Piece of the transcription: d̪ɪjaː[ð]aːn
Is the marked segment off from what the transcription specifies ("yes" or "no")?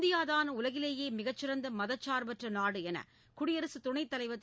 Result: no